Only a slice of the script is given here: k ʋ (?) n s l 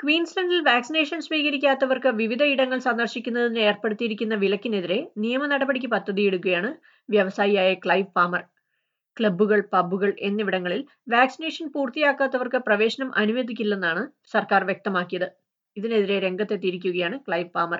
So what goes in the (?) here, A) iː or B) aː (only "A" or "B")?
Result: A